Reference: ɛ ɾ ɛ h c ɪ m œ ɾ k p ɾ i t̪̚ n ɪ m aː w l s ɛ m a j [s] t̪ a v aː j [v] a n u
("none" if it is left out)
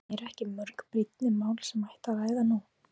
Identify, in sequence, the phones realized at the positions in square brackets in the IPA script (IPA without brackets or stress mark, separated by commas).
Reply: h, ð